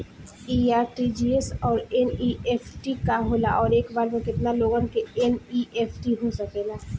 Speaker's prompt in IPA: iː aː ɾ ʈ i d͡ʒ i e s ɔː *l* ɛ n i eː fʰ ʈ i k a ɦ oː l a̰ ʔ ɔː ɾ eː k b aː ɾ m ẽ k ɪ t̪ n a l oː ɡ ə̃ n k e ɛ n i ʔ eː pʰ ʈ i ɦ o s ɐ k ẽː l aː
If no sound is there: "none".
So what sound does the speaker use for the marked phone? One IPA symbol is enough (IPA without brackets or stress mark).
ɾ